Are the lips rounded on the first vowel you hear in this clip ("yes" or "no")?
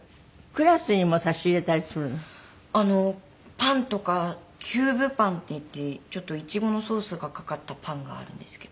no